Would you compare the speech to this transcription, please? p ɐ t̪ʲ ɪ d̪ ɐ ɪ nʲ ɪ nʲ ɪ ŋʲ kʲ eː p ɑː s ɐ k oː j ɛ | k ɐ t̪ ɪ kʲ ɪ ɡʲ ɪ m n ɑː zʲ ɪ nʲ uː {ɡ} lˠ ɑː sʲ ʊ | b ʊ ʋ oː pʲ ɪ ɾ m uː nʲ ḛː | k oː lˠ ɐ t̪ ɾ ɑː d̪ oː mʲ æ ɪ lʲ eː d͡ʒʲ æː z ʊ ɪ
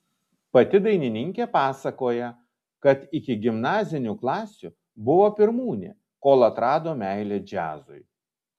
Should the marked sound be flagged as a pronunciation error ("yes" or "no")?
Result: yes